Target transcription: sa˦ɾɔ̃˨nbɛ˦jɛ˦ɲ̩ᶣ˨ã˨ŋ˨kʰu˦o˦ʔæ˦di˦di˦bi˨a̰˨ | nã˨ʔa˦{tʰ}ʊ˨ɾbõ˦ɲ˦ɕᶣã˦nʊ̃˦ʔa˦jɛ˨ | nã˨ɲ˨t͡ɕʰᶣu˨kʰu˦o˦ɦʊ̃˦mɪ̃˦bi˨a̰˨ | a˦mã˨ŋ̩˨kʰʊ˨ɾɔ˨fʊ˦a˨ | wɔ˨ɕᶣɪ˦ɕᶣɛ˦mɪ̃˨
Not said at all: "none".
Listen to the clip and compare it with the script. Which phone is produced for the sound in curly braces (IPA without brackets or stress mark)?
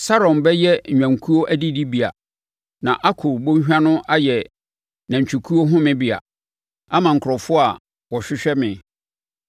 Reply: kʰ